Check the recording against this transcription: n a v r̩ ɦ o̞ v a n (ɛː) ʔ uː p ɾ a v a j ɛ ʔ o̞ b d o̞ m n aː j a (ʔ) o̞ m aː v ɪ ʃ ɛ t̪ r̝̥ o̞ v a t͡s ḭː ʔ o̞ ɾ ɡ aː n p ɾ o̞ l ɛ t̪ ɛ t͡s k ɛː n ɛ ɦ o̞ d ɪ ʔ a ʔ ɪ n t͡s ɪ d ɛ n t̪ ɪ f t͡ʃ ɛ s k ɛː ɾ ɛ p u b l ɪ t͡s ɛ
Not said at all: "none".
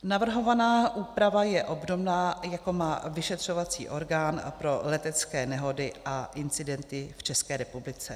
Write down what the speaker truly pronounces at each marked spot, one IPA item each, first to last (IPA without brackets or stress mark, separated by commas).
aː, k